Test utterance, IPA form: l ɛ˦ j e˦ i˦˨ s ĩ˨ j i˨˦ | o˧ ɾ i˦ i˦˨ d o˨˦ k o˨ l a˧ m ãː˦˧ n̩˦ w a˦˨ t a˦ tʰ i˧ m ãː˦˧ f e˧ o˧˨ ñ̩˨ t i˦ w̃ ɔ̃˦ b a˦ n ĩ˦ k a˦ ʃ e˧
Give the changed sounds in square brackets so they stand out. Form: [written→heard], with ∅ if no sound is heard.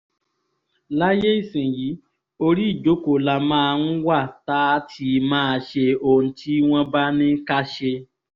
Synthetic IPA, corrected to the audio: l [ɛ˦→a˦] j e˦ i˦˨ s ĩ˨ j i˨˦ | o˧ ɾ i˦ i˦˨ [d→d͡ʒ] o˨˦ k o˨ l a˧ m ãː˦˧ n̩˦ w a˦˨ t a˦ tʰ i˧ m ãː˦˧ [f→ʃ] e˧ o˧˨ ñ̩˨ t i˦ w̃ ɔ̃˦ b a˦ n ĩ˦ k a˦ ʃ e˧